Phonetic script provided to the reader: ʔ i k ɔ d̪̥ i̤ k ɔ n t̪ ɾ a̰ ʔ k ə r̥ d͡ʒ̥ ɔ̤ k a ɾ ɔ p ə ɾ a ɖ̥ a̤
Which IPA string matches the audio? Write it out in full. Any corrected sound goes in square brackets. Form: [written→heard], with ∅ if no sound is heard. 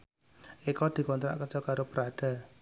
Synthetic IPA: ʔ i k ɔ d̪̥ i̤ k ɔ n t̪ ɾ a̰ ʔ k ə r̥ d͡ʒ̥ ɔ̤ k a ɾ [ɔ→o] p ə ɾ a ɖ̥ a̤